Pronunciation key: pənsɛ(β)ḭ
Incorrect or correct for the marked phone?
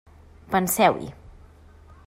incorrect: w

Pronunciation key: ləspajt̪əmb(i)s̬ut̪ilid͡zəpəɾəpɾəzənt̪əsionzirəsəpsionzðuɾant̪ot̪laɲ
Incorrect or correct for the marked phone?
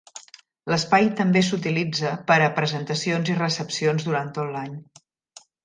incorrect: e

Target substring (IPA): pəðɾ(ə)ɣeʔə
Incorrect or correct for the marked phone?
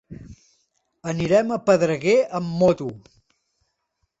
correct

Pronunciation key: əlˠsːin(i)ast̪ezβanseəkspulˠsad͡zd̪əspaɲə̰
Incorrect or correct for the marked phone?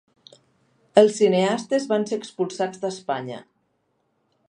incorrect: e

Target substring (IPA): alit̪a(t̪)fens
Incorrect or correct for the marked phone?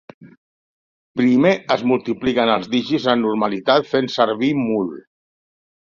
correct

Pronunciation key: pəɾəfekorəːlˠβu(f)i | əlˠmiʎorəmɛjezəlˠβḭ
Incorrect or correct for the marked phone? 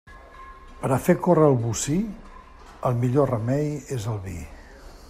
incorrect: s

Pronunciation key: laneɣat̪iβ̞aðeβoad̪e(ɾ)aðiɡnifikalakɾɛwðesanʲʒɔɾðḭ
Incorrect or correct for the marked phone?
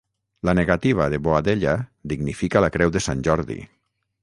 incorrect: ʎ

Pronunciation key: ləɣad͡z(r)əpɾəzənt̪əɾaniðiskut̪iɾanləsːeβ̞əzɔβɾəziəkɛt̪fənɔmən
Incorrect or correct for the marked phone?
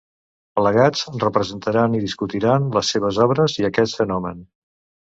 correct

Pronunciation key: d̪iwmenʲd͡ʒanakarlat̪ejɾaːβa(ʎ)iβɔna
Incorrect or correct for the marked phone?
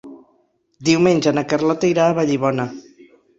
correct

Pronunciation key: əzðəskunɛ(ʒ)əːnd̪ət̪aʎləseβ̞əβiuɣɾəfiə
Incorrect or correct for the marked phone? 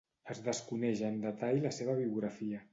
correct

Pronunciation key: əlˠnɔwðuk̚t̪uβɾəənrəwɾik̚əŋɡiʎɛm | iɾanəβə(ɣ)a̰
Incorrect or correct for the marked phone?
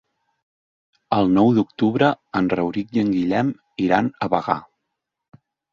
correct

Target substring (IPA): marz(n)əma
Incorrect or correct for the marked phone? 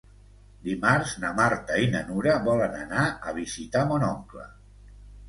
correct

